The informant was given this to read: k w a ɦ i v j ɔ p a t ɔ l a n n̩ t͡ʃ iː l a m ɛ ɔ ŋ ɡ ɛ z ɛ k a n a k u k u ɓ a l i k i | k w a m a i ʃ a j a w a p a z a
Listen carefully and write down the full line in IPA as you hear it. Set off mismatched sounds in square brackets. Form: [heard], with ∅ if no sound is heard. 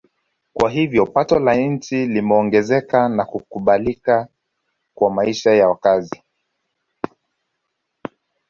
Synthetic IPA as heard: k w a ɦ i v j ɔ p a t ɔ l a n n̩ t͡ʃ [i] l [i] m ɛ ɔ ŋ ɡ ɛ z ɛ k a n a k u k u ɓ a l i k [a] | k w a m a i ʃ a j a w a [k] a z [i]